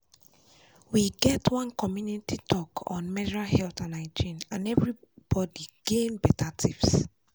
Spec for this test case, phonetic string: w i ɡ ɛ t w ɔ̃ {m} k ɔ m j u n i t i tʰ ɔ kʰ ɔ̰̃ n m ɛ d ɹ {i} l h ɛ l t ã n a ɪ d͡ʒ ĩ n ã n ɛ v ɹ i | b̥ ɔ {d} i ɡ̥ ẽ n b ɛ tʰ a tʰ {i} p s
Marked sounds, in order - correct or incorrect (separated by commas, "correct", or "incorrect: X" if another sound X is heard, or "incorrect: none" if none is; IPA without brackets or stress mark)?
incorrect: n, incorrect: a, correct, correct